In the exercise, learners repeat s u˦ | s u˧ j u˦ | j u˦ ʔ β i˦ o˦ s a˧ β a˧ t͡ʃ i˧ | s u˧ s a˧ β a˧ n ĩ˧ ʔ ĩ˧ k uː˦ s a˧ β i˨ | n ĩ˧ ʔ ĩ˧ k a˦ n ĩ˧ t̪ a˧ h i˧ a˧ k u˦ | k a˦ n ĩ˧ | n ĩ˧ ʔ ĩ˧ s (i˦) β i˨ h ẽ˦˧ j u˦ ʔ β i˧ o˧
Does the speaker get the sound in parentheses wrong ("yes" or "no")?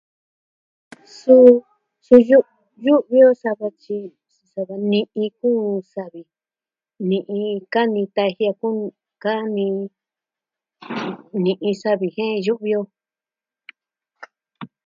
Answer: yes